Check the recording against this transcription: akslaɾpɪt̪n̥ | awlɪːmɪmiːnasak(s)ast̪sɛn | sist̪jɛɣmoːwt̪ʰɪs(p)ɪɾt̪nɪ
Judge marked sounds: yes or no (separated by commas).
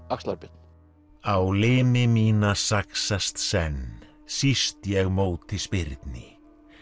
yes, yes